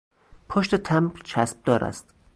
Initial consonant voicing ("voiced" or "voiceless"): voiceless